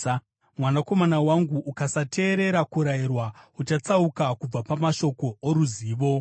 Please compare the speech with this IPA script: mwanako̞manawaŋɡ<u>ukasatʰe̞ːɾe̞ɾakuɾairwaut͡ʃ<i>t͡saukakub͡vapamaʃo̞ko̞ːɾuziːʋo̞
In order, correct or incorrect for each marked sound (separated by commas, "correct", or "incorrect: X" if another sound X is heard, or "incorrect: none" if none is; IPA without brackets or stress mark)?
correct, incorrect: a